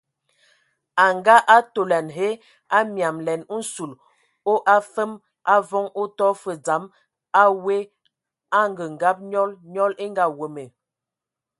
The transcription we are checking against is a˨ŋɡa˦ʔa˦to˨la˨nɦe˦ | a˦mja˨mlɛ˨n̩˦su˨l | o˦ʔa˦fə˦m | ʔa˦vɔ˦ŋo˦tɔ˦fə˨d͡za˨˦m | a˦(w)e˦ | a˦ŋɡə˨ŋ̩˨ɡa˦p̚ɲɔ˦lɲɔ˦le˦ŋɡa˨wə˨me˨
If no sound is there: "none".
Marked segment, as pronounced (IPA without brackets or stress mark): w